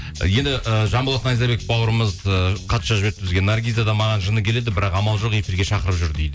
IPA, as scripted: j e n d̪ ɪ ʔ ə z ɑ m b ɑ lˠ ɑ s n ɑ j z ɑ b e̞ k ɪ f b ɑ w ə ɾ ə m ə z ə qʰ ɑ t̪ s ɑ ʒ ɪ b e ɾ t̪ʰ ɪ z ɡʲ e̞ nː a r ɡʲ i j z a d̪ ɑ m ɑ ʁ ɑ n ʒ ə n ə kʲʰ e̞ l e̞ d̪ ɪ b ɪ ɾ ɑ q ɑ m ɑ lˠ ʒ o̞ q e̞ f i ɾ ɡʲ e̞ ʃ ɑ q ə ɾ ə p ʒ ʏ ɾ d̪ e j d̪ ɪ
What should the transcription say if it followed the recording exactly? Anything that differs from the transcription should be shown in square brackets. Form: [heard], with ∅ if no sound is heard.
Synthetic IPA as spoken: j e n d̪ ɪ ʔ ə [ʒ] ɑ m b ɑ lˠ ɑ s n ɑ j z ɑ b e̞ k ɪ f b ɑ w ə ɾ ə m ə z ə qʰ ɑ t̪ [ʃ] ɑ ʒ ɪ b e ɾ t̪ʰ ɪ z ɡʲ e̞ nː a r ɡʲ i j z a d̪ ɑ m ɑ ʁ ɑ n ʒ ə n ə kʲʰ e̞ l e̞ d̪ ɪ b ɪ ɾ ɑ q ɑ m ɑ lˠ ʒ o̞ q e̞ f i ɾ ɡʲ e̞ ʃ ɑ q ə ɾ ə p ʒ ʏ ɾ d̪ e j d̪ ɪ

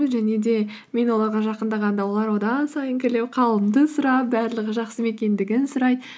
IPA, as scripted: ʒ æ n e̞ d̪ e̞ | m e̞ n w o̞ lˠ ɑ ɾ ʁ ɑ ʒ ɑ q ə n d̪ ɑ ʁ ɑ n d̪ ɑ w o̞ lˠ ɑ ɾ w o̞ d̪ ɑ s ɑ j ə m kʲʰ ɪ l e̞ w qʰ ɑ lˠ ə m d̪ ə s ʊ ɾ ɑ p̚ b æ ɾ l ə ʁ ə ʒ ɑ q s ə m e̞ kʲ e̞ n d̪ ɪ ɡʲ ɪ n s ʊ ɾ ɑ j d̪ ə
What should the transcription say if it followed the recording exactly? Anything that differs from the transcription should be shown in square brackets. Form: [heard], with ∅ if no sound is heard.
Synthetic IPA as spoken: ʒ æ n e̞ d̪ e̞ | m e̞ n w o̞ lˠ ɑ ɾ ʁ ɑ ʒ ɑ q ə n d̪ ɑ ʁ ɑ n d̪ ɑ w o̞ lˠ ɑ ɾ w o̞ d̪ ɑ s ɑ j ə [ŋ] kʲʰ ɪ l e̞ w qʰ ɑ lˠ ə m d̪ ə s ʊ ɾ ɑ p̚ b æ ɾ l ə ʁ ə ʒ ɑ q s ə m e̞ kʲ e̞ n d̪ ɪ ɡʲ ɪ n s ʊ ɾ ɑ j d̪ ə

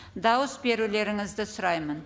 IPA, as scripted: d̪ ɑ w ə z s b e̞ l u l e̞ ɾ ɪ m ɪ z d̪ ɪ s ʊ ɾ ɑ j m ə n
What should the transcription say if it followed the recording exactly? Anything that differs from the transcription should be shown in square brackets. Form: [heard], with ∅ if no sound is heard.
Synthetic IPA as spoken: d̪ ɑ w ə [∅] s b e̞ [ɾ] u l e̞ ɾ ɪ [ŋ] ɪ z d̪ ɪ s ʊ ɾ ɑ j m ə n

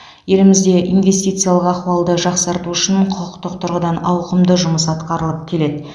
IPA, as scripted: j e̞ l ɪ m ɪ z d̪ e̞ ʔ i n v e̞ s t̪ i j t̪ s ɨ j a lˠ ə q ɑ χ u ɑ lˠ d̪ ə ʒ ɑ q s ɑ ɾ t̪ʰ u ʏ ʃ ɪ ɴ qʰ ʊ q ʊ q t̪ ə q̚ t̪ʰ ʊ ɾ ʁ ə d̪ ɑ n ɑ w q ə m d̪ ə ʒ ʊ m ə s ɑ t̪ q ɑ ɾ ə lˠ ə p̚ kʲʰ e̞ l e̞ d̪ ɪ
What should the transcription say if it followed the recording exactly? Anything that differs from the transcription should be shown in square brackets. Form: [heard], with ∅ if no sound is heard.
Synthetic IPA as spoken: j e̞ l ɪ m ɪ z d̪ e̞ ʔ i n v e̞ s t̪ i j t̪ s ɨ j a lˠ ə q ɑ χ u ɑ lˠ d̪ ə ʒ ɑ q s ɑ ɾ [t̪] u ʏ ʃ ɪ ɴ qʰ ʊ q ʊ q t̪ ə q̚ t̪ʰ ʊ ɾ ʁ ə d̪ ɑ n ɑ w q ə m d̪ ə ʒ ʊ m ə s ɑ t̪ q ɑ ɾ ə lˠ ə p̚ kʲʰ e̞ l e̞ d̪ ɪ

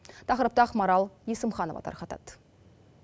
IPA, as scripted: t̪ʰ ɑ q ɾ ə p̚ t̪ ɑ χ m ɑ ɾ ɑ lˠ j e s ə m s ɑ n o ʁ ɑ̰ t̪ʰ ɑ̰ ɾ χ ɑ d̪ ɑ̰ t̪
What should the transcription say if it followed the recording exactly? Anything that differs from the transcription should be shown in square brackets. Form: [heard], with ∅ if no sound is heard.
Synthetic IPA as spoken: t̪ʰ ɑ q ɾ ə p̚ t̪ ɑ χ m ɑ ɾ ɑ lˠ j e s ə m [χ] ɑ n o [v] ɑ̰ t̪ʰ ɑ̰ ɾ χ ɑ [t̪] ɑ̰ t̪

